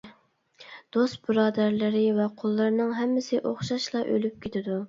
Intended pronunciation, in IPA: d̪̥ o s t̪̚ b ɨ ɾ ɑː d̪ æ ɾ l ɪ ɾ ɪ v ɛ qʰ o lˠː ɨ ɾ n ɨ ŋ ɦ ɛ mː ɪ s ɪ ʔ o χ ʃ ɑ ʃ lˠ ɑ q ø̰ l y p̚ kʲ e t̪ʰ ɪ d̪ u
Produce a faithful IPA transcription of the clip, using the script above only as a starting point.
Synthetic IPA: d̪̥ o s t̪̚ b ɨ ɾ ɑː d̪ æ ɾ l ɪ ɾ ɪ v ɛ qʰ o lˠː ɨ ɾ n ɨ ŋ ɦ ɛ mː ɪ s ɪ ʔ o χ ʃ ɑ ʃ lˠ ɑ ʔ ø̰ l y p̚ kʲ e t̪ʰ ɪ d̪ u